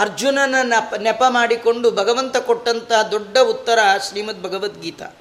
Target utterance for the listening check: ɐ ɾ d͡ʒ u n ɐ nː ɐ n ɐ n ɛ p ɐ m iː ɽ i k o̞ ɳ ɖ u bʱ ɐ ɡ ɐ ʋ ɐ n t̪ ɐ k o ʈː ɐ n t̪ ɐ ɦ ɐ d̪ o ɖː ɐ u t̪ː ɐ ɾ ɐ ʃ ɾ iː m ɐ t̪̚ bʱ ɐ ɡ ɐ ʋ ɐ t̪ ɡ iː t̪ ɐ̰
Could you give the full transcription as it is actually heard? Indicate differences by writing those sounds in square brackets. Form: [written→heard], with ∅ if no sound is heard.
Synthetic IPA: ɐ ɾ d͡ʒ u n ɐ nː ɐ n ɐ n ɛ p ɐ m [iː→aː] ɽ i k o̞ ɳ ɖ u bʱ ɐ ɡ ɐ ʋ ɐ n t̪ ɐ k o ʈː ɐ n t̪ ɐ ɦ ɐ d̪ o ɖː ɐ u t̪ː ɐ ɾ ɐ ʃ ɾ iː m ɐ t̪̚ bʱ ɐ ɡ ɐ ʋ ɐ t̪ ɡ iː t̪ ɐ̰